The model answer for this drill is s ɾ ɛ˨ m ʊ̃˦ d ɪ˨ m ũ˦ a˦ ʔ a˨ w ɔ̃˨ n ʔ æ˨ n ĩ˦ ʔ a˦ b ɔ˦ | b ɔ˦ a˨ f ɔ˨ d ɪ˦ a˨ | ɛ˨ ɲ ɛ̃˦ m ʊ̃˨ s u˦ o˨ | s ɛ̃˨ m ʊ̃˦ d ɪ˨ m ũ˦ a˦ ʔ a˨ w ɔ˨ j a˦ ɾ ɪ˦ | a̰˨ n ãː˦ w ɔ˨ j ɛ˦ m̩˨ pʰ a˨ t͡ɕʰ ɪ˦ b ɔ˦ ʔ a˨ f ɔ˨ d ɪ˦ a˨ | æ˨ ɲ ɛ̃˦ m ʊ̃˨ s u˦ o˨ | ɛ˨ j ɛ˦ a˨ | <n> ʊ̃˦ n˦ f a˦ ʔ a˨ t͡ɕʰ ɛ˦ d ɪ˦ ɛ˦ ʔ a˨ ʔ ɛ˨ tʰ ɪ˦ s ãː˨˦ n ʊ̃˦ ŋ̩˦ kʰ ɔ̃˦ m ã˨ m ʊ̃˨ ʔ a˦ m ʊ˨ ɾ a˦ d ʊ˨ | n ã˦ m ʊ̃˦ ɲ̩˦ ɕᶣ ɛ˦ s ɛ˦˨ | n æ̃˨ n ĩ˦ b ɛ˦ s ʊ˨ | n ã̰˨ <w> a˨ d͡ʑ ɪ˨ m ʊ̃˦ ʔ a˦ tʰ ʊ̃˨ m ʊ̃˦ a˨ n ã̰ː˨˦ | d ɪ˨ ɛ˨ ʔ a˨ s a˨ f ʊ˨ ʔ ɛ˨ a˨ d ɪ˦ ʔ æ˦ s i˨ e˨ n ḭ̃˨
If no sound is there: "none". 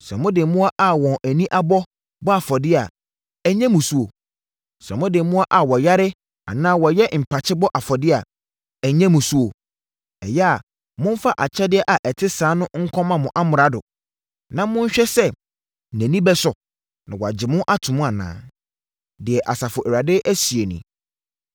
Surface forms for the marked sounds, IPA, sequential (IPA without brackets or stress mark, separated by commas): m, w